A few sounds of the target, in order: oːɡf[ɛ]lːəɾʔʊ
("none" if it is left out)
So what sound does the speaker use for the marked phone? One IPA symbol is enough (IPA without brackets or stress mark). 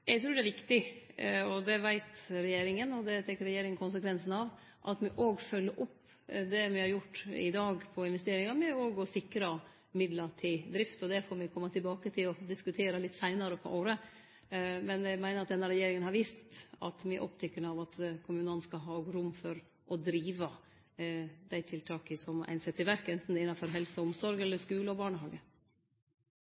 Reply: œ